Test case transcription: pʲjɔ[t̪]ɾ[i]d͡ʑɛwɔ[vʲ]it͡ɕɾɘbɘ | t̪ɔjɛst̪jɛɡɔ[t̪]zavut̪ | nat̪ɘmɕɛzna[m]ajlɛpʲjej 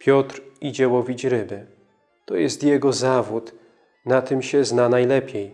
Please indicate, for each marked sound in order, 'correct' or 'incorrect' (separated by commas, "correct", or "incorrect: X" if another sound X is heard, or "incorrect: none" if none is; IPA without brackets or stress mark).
correct, correct, correct, incorrect: none, incorrect: n